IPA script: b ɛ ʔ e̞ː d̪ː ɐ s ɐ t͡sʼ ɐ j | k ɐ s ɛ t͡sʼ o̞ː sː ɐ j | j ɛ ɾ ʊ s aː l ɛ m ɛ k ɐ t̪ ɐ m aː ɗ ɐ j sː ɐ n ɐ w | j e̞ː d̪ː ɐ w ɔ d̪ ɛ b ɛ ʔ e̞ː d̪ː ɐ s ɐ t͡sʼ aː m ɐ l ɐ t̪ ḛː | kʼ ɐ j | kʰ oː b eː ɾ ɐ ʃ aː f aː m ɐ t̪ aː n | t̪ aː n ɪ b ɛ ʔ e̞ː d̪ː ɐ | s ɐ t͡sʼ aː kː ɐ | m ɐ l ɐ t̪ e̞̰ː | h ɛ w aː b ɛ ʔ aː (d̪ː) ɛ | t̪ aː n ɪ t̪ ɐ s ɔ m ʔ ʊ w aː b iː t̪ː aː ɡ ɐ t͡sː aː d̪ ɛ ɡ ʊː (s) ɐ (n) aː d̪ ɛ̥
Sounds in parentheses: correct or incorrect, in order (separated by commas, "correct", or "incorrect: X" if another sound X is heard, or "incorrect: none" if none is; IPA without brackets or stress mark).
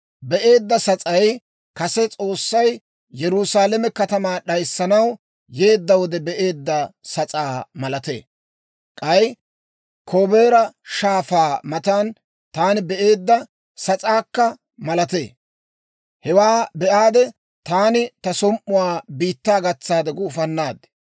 incorrect: d̪, incorrect: f, incorrect: nː